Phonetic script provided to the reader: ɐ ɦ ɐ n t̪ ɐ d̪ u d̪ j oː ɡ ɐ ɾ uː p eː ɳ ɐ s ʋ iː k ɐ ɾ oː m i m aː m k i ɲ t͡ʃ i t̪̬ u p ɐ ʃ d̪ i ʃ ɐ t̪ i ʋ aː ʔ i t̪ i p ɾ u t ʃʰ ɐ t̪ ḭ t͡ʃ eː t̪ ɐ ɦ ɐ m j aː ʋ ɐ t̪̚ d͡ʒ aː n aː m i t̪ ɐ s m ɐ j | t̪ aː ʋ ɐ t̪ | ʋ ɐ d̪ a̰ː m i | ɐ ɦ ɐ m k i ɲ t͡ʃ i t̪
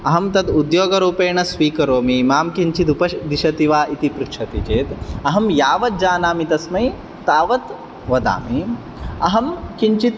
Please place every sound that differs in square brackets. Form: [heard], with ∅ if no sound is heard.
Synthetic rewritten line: ɐ ɦ ɐ [m] t̪ ɐ d̪ u d̪ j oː ɡ ɐ ɾ uː p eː ɳ ɐ s ʋ iː k ɐ ɾ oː m i m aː m k i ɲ t͡ʃ i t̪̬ u p ɐ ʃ d̪ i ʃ ɐ t̪ i ʋ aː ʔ i t̪ i p ɾ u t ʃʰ ɐ t̪ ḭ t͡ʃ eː t̪ ɐ ɦ ɐ m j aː ʋ ɐ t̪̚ d͡ʒ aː n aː m i t̪ ɐ s m ɐ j | t̪ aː ʋ ɐ t̪ | ʋ ɐ d̪ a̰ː m i | ɐ ɦ ɐ m k i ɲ t͡ʃ i t̪